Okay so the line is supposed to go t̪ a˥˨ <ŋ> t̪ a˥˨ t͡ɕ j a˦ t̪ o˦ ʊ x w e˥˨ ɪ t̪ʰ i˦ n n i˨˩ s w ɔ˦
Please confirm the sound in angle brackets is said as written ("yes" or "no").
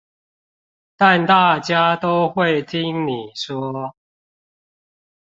no